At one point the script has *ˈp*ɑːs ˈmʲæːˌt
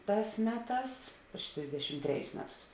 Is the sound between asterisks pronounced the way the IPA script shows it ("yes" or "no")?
no